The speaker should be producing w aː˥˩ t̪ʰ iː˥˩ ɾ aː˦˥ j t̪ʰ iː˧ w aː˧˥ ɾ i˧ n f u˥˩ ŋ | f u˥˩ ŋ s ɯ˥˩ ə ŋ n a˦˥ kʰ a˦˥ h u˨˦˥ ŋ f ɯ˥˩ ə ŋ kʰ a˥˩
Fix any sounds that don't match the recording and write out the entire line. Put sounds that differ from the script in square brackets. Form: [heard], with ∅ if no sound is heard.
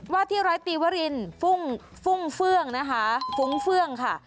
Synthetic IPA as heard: w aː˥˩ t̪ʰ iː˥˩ ɾ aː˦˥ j [t̪] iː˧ w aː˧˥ ɾ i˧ n f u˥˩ ŋ | f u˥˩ ŋ [f] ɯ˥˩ ə ŋ n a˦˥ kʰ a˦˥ [f] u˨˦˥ ŋ f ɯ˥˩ ə ŋ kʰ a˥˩